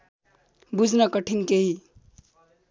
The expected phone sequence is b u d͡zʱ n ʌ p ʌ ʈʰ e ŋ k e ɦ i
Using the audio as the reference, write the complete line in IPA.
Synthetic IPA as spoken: b u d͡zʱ n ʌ k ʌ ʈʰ i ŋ k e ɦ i

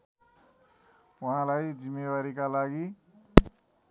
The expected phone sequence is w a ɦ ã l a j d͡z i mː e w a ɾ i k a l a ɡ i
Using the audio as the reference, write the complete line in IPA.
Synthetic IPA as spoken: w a ɦ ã l a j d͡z i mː e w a ɾ i k a l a ɡ i

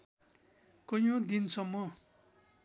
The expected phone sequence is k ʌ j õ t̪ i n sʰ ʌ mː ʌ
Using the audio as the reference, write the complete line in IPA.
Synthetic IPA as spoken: k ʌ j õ d̪ i n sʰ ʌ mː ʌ

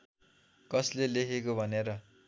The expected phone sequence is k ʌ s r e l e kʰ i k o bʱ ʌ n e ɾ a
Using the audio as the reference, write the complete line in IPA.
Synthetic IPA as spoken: k ʌ s l e l e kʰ e k o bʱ ʌ n e ɾ ʌ

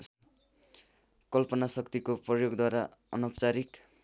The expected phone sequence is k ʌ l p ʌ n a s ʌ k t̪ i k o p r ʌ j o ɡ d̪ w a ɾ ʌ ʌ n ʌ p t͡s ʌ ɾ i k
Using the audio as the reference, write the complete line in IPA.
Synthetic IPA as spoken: k ʌ l p ʌ n a s ʌ k t̪ i k o p r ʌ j o ɡ d̪ w a ɾ a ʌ n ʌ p t͡s a ɾ i k

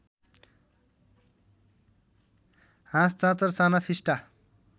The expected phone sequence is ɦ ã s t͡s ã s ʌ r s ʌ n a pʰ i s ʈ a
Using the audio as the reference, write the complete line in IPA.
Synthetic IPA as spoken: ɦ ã s t͡s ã t͡s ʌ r s a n a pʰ i s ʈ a

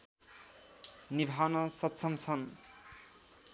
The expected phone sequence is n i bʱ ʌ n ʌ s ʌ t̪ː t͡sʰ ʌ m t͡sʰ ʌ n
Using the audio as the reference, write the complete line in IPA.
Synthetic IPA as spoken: n i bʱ a n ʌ s ʌ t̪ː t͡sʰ ʌ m t͡sʰ ʌ n

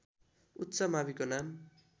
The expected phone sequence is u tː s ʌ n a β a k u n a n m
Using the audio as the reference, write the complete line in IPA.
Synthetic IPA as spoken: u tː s ʌ m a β i k o n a m

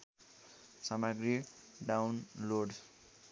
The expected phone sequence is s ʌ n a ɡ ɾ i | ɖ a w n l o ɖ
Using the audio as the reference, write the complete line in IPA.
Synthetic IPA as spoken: s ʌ m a ɡ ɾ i | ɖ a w n l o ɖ

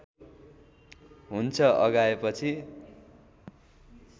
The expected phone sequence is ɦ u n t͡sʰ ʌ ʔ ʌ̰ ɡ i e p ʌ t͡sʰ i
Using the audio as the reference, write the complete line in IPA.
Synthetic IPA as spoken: ɦ u n t͡sʰ ʌ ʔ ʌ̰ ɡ a e p ʌ t͡sʰ i

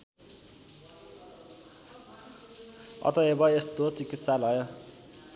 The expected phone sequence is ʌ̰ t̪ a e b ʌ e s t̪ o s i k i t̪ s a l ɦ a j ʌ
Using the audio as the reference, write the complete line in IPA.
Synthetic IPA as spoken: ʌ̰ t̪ ʌ e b ʌ e s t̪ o t͡s i k i t̪ s a l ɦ ʌ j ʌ

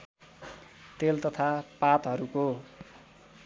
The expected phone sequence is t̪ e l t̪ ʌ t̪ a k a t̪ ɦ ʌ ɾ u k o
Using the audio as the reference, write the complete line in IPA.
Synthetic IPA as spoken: t̪ e l t̪ ʌ t̪ʰ a p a t̪ ɦ ʌ ɾ u k o

